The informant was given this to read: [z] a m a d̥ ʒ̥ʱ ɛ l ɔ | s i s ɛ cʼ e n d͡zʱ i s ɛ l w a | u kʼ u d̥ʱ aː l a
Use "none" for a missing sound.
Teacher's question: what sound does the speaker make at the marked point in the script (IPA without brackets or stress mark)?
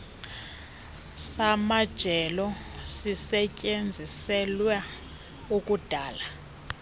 s